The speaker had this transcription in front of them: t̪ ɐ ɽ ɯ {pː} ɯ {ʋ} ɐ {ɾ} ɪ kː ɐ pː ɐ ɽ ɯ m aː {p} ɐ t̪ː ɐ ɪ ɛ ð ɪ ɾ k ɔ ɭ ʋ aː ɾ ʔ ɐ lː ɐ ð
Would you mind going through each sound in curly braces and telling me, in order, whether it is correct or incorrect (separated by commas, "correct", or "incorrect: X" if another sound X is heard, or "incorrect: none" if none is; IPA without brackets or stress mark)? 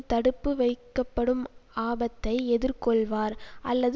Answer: correct, correct, incorrect: none, incorrect: b